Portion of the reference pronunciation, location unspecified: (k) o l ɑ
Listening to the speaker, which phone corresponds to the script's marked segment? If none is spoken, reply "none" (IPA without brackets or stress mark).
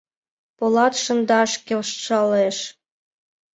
p